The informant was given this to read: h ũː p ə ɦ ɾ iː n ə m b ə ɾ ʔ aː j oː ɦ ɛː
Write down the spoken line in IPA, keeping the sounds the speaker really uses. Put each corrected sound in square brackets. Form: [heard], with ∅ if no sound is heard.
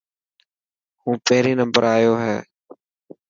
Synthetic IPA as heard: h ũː p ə ɦ ɾ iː n ə m b ə ɾ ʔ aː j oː ɦ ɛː